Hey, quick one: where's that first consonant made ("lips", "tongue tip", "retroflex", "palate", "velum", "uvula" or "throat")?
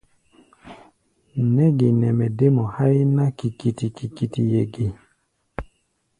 tongue tip